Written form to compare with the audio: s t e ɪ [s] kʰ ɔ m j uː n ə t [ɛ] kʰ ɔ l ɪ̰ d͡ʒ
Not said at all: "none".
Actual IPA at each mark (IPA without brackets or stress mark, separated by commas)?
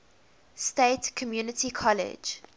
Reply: t, i